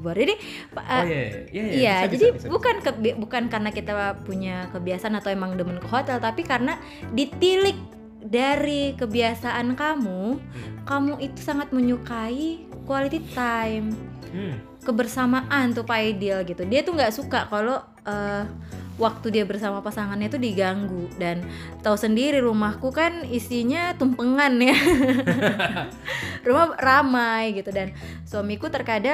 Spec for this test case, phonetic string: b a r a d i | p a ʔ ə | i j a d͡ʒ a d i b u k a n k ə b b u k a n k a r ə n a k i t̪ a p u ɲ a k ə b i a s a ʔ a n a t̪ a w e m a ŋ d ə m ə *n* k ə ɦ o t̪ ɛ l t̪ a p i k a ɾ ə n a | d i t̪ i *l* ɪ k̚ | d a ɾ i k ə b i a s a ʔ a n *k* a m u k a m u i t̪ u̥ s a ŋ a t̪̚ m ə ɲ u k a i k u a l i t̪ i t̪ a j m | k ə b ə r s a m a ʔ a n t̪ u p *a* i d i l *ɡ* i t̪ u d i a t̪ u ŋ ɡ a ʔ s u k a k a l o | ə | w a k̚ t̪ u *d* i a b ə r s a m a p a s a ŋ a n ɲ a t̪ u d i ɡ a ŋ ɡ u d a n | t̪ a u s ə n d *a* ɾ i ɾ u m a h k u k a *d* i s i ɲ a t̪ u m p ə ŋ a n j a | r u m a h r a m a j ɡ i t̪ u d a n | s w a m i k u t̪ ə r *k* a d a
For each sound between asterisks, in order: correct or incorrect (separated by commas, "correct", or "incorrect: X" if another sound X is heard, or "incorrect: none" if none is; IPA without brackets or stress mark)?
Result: correct, correct, correct, correct, correct, correct, incorrect: i, incorrect: n, correct